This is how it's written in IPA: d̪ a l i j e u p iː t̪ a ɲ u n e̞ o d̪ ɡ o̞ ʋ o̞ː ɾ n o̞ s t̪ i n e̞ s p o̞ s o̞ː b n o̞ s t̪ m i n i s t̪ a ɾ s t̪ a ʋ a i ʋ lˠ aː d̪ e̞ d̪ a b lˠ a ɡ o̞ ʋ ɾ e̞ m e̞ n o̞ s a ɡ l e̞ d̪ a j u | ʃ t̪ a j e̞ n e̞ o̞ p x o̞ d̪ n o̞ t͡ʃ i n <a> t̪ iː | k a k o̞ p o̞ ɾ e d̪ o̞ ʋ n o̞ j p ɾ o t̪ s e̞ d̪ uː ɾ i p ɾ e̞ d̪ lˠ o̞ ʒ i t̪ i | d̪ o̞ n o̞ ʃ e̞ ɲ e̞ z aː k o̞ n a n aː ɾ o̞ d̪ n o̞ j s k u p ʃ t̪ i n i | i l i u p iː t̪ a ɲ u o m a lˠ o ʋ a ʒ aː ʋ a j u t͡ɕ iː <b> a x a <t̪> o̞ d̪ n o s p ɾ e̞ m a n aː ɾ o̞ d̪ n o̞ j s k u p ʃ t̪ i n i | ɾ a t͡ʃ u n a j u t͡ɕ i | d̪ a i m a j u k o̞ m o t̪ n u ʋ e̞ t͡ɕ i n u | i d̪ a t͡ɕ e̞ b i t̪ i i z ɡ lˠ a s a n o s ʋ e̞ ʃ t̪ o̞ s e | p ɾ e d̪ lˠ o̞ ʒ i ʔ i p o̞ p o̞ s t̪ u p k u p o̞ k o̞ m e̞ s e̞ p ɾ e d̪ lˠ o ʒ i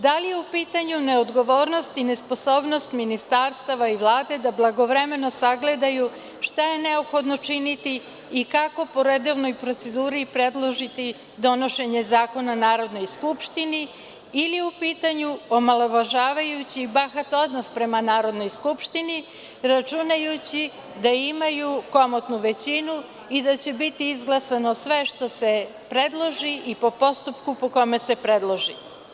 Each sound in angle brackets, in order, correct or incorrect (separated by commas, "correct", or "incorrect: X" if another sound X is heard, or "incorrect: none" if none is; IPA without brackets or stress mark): incorrect: i, correct, correct